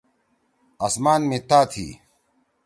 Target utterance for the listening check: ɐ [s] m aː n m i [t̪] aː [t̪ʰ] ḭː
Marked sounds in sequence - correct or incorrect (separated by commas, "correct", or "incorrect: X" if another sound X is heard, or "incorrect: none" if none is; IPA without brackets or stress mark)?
correct, correct, correct